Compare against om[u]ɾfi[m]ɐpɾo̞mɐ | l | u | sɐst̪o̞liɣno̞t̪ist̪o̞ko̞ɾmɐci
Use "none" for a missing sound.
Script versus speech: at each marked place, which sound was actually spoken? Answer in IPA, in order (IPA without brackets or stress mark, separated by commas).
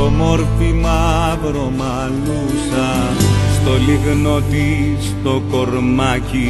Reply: o, m